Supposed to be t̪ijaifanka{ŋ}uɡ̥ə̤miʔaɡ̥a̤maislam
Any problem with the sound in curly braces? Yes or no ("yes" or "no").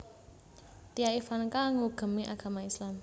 no